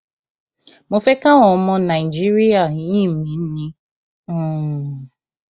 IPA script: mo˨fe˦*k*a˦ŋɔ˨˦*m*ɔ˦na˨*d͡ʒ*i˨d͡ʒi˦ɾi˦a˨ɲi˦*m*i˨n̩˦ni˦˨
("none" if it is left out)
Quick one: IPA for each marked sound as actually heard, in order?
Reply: k, m, none, m

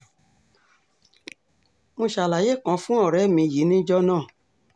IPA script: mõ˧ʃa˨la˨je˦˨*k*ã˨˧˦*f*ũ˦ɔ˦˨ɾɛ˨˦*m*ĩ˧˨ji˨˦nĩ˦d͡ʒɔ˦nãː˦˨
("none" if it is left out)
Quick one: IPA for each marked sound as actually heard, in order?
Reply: k, f, m

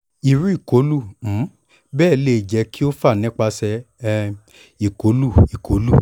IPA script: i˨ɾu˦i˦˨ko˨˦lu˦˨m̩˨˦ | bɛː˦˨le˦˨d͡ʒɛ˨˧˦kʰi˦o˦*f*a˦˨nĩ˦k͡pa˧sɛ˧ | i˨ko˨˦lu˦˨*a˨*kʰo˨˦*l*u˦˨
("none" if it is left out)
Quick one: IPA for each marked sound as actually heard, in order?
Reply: f, i˨, l

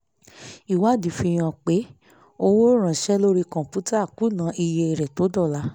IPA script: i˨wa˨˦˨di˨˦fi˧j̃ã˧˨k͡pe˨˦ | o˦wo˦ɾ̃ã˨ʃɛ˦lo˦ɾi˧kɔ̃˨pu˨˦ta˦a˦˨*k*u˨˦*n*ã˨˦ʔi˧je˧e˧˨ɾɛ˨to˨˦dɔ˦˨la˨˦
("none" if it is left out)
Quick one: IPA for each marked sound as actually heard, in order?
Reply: k, n

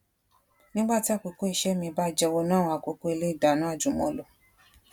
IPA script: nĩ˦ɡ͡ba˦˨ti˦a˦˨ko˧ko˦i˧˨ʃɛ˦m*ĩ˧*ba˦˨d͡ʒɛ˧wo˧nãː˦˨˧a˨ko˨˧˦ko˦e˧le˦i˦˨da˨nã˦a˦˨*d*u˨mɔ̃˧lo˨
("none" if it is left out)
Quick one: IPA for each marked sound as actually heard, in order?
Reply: ĩ˧, d͡ʒ

